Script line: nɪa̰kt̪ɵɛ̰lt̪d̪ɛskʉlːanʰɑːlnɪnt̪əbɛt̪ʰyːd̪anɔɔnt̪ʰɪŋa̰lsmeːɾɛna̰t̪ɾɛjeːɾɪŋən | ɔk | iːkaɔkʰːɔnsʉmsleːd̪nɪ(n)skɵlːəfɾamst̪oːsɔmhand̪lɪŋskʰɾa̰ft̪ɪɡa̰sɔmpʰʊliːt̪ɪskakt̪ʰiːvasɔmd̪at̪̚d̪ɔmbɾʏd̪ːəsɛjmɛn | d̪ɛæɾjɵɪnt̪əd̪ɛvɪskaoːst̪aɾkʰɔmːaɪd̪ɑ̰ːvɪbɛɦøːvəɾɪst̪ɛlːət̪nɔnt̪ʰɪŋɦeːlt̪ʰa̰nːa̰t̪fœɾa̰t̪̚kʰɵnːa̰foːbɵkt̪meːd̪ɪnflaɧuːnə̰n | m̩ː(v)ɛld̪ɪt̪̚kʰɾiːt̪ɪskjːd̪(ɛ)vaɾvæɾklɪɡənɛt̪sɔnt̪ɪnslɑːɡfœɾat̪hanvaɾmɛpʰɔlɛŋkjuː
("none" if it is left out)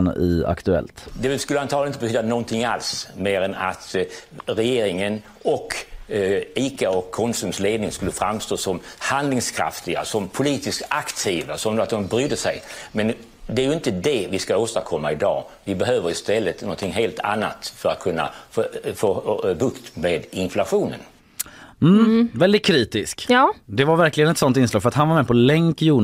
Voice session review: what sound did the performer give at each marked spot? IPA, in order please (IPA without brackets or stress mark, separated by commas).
ŋ, v, ɛ